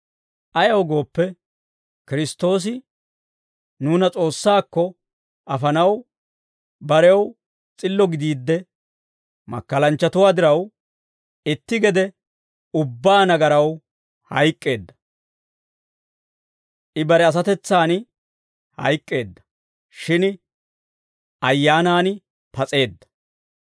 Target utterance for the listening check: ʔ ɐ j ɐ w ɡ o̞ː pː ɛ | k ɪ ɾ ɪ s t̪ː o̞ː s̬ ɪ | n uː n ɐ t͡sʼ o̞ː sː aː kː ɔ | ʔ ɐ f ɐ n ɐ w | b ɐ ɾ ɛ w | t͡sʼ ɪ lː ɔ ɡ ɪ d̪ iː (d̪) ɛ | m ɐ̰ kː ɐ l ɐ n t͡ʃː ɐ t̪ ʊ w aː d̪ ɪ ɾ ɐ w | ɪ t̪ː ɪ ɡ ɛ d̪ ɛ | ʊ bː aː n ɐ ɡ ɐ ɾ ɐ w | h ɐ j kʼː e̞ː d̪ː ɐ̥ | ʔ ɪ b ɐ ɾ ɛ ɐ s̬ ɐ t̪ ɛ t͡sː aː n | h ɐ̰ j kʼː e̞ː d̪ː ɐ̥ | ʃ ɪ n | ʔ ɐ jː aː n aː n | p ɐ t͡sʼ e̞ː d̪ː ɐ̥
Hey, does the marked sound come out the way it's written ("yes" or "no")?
no